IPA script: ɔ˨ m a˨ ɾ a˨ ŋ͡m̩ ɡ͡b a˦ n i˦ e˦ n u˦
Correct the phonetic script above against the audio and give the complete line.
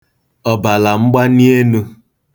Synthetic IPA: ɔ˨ b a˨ l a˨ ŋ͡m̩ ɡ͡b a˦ n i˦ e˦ n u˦